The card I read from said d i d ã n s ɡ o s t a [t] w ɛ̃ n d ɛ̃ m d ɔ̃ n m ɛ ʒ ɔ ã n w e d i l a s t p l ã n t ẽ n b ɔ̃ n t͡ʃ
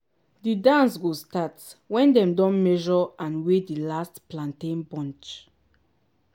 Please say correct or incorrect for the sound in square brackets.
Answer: correct